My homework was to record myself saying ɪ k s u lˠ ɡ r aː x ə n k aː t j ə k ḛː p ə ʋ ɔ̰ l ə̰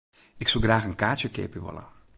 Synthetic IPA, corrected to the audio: ɪ k s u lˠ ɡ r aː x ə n k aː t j ə k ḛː p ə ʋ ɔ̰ l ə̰